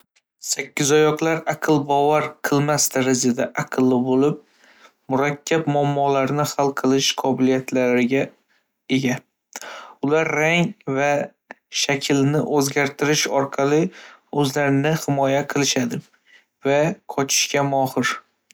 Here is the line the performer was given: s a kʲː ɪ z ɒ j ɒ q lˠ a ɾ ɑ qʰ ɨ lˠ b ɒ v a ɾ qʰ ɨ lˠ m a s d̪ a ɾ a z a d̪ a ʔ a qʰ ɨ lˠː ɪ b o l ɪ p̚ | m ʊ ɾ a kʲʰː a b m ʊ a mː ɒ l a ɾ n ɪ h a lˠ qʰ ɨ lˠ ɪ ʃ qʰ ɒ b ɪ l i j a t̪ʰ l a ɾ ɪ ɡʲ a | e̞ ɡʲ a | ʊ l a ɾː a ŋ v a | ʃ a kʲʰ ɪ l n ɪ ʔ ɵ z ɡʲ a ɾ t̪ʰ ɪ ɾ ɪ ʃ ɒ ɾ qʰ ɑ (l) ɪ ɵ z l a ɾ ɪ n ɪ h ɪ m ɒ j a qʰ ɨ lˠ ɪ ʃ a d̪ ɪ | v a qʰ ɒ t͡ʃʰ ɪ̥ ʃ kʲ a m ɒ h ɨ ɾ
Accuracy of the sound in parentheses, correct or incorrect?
correct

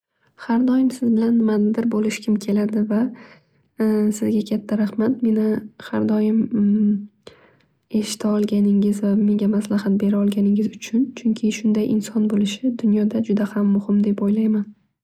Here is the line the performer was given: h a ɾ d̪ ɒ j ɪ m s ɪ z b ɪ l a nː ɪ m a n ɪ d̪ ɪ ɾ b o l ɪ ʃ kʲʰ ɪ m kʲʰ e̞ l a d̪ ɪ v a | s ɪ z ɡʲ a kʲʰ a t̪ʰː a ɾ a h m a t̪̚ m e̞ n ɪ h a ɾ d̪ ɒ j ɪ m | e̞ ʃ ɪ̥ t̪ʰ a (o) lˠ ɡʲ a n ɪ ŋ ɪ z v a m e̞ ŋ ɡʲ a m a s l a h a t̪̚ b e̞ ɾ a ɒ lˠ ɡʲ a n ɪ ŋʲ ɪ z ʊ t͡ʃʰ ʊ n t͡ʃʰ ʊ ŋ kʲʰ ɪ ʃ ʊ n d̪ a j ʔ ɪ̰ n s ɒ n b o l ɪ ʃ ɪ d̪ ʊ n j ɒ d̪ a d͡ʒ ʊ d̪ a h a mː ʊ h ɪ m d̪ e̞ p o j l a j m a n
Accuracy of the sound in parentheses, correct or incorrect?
incorrect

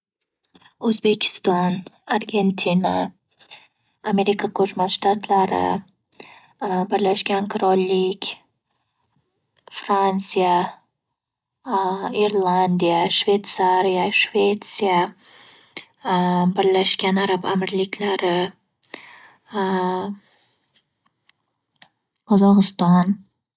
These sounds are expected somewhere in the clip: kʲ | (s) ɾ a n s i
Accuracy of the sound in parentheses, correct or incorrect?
incorrect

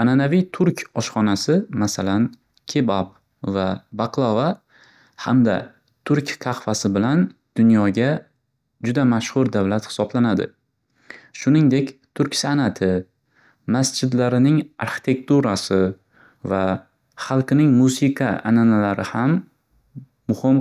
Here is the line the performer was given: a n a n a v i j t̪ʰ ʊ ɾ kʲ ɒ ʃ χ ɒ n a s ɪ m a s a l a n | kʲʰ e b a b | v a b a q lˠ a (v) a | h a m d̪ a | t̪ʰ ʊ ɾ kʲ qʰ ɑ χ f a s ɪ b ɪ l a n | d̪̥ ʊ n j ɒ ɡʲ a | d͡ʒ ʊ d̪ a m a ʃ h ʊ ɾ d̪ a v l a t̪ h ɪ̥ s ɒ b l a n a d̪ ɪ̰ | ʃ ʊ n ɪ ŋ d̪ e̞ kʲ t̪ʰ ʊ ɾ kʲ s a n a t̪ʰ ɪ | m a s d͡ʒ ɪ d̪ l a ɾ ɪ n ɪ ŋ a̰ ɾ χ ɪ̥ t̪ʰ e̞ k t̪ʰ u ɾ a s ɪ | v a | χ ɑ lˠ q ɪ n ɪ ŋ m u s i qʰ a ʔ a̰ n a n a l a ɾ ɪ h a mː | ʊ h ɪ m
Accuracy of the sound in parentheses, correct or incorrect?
correct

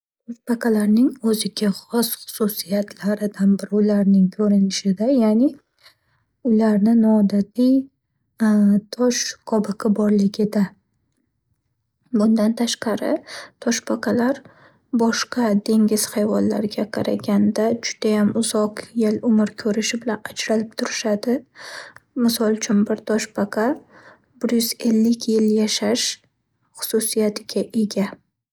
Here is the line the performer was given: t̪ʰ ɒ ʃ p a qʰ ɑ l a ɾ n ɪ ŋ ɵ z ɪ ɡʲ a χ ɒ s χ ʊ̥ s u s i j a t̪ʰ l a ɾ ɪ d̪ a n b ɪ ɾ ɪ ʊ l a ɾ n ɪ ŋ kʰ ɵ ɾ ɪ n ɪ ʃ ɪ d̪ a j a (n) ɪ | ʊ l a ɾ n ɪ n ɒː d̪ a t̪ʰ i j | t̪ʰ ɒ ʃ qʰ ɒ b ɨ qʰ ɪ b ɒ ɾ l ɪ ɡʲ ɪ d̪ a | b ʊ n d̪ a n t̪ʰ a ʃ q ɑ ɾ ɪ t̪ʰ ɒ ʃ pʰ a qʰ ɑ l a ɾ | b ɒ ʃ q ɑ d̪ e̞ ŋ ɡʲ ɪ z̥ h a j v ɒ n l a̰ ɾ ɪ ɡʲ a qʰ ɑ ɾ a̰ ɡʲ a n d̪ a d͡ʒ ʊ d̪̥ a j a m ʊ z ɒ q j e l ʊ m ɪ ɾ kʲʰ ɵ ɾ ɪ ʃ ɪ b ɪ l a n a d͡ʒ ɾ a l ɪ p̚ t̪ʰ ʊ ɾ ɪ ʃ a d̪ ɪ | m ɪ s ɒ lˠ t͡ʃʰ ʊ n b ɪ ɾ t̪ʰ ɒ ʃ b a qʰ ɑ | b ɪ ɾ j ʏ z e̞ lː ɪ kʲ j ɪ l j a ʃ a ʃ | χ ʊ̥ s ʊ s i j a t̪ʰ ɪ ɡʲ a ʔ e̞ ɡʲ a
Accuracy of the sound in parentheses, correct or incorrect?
correct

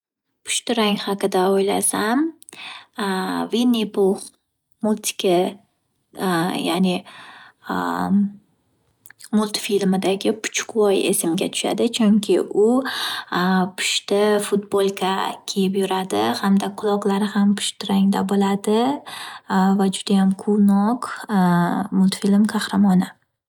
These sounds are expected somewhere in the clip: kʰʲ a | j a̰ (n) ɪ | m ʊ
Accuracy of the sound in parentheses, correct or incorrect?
correct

